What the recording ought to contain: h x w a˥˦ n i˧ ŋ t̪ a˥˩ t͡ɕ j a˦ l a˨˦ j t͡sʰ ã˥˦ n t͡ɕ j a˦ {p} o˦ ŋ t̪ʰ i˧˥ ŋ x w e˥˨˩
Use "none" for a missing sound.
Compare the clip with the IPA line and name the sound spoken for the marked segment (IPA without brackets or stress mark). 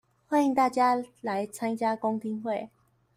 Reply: k